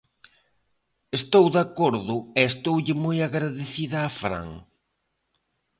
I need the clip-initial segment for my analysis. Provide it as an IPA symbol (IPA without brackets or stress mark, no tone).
e